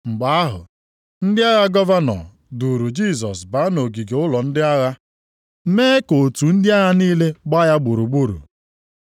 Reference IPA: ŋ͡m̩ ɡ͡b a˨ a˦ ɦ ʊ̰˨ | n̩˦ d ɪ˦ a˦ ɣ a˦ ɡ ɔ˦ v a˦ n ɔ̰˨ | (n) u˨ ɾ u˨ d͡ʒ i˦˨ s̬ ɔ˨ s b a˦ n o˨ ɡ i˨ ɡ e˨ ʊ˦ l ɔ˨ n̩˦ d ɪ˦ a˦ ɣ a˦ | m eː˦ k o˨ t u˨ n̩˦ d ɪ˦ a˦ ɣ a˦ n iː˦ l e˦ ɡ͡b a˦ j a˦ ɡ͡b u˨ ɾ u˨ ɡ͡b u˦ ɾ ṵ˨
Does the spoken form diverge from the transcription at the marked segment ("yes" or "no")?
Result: yes